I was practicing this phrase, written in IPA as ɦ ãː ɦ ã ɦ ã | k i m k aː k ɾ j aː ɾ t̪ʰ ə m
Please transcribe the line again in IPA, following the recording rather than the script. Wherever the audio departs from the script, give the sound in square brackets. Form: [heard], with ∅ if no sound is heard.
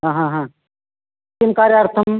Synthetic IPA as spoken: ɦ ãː ɦ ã ɦ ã | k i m k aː [∅] ɾ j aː ɾ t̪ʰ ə m